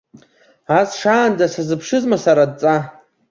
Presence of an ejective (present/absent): present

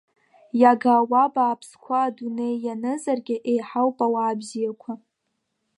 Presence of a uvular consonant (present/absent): absent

